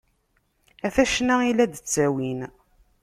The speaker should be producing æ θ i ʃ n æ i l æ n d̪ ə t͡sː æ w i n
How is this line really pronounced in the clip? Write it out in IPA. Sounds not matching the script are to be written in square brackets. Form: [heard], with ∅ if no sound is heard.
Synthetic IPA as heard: æ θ [æ] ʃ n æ i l æ [∅] d̪ ə t͡sː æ w i n